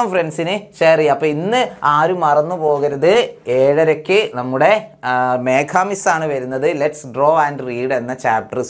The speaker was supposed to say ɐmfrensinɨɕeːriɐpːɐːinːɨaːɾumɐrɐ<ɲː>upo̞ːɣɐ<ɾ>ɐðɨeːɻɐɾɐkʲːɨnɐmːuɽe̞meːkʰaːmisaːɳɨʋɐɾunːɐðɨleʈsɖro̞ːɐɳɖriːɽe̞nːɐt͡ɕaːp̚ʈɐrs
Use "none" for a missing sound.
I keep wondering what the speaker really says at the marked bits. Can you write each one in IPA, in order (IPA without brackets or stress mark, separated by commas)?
nː, ɾ